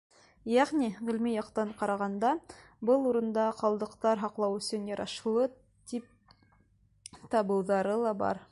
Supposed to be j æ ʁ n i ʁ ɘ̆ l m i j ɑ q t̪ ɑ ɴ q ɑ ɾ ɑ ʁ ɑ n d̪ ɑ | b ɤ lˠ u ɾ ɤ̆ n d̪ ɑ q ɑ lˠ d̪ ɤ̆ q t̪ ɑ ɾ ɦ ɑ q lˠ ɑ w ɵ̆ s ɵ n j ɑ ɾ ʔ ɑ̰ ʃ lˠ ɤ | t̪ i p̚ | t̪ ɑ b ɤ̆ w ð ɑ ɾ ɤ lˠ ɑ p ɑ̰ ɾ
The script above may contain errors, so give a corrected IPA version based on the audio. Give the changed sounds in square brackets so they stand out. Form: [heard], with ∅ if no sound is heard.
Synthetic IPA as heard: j æ ʁ n i ʁ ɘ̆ l m i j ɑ q t̪ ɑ ɴ q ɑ ɾ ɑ ʁ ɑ n d̪ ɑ | b ɤ lˠ u ɾ ɤ̆ n d̪ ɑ q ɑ lˠ d̪ ɤ̆ q t̪ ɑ ɾ ɦ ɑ q lˠ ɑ w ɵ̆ s ɵ n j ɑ ɾ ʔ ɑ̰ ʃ lˠ ɤ | t̪ i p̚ | t̪ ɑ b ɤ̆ w ð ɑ ɾ ɤ lˠ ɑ [b] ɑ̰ ɾ